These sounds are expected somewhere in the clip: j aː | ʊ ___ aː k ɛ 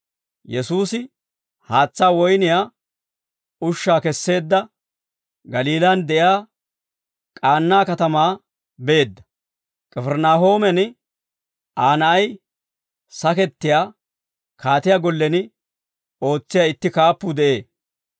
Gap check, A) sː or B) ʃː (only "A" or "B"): B